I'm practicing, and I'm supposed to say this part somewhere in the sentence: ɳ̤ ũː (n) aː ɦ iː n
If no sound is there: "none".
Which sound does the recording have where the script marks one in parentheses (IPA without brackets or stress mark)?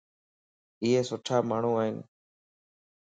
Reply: none